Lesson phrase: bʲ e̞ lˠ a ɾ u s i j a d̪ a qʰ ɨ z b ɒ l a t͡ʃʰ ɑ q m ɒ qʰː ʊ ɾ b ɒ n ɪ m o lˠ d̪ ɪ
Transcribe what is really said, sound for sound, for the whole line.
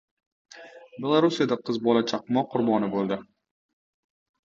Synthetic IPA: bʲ e̞ lˠ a ɾ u s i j a d̪ a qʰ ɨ z b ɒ l a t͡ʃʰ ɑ q m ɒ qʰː ʊ ɾ b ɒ n ɪ b o lˠ d̪ ɪ